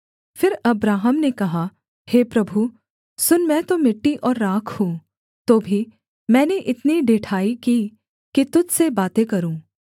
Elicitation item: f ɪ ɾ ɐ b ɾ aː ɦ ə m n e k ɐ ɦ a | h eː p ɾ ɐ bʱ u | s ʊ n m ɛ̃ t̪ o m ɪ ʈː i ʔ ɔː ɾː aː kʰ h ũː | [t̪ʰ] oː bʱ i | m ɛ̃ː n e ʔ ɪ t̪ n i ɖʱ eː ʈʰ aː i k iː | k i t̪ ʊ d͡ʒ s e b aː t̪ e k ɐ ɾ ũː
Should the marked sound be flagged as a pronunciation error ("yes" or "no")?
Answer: yes